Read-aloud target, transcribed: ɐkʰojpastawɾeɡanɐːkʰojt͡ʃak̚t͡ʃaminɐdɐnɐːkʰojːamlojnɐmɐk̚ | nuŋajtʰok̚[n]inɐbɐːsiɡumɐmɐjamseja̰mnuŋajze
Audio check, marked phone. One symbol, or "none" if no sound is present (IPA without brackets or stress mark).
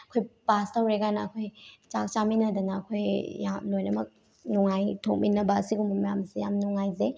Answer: m